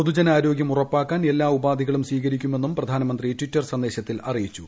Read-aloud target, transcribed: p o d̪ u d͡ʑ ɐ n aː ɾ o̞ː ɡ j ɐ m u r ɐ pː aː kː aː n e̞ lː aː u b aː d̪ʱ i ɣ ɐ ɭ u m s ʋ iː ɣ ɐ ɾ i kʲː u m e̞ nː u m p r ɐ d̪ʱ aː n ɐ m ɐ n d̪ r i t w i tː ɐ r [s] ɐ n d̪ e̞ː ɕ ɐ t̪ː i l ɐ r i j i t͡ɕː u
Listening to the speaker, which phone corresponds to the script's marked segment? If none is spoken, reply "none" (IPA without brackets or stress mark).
s